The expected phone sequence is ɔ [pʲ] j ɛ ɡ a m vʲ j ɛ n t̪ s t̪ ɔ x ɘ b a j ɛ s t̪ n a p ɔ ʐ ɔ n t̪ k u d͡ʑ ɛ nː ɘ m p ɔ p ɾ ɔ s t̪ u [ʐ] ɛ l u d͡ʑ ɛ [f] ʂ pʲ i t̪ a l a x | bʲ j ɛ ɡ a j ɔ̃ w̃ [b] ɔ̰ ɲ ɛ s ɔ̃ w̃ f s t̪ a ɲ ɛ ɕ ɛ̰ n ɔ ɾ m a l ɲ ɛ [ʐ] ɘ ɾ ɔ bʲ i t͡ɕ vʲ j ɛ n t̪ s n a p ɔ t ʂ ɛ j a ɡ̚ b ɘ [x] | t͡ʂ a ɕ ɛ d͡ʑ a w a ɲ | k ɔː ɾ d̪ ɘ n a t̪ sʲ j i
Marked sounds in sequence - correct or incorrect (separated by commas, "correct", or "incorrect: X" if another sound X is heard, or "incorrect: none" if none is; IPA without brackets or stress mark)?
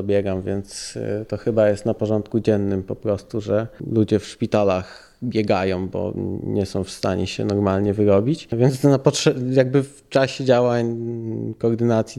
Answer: incorrect: bʲ, correct, correct, correct, incorrect: v, incorrect: f